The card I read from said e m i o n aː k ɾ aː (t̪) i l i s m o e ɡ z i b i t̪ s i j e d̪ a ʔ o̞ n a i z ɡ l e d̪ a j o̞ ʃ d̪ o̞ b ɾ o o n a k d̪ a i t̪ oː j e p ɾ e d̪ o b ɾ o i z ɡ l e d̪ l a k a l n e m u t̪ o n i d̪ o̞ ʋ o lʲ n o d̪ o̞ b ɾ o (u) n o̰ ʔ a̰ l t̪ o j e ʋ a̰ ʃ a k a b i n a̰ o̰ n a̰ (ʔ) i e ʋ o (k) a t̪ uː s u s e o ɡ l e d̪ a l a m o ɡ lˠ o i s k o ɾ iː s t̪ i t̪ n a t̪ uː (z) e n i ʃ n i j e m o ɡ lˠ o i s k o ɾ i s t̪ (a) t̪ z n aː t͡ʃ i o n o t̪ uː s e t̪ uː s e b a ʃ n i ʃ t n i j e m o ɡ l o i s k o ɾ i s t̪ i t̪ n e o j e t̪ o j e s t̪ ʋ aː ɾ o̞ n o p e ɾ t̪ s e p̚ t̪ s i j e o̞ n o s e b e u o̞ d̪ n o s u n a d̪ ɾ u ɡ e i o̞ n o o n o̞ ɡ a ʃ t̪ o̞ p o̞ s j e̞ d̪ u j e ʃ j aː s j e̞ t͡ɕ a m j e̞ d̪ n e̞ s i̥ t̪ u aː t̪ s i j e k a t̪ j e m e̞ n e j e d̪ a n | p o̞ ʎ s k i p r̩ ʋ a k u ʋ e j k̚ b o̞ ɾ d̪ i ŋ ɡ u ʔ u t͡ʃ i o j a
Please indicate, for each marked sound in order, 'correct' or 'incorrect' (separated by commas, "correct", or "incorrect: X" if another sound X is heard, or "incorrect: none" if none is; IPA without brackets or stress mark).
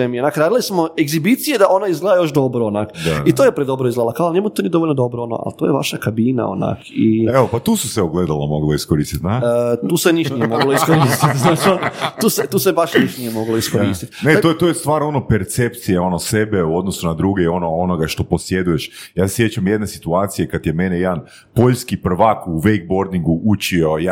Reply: incorrect: d̪, incorrect: o, incorrect: k, incorrect: p, incorrect: s, incorrect: i